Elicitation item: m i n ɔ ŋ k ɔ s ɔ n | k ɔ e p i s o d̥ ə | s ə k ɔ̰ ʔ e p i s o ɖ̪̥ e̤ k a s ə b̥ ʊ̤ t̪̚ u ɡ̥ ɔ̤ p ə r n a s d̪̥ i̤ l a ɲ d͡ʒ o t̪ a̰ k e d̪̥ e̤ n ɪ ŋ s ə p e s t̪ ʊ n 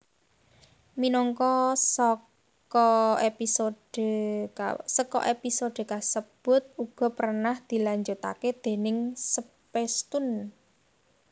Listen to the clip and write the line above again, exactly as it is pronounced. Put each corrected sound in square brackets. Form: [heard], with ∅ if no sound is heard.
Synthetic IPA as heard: m i n ɔ ŋ k ɔ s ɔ [∅] | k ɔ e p i s o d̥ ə | s ə k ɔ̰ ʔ e p i s o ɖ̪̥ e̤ k a s ə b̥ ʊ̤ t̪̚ u ɡ̥ ɔ̤ p ə r n a [h] d̪̥ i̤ l a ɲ d͡ʒ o t̪ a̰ k e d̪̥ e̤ n ɪ ŋ s ə p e s t̪ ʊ n